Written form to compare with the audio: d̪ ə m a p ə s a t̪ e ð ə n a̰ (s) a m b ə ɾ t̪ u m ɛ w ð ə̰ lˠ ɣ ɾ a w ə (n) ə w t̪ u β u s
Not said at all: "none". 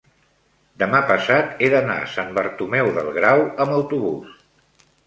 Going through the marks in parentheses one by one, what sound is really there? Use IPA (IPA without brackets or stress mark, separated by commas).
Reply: s, m